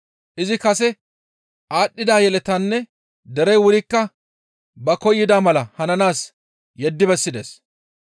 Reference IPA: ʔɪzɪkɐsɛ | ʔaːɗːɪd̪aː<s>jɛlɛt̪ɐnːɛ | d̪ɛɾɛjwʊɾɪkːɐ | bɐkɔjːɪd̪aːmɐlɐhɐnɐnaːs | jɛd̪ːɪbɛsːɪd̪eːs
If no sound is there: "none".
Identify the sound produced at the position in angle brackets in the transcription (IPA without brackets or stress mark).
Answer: none